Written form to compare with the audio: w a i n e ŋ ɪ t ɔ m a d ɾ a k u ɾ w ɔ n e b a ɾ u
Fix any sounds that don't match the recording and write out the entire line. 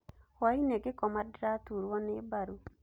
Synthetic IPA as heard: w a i n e ɡ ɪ k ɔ m a d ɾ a t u ɾ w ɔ n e b a ɾ u